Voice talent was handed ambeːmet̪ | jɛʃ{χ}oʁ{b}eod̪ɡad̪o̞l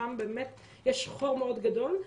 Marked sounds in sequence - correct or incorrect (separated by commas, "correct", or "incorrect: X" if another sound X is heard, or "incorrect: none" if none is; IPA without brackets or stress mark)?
correct, incorrect: m